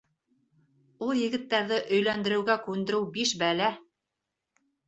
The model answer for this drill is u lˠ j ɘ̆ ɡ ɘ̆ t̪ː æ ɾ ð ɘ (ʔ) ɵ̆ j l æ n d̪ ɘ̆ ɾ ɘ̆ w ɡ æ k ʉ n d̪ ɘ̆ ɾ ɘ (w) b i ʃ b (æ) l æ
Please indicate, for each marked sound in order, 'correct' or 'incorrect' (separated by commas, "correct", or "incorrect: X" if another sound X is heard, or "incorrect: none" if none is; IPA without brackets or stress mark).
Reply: correct, correct, correct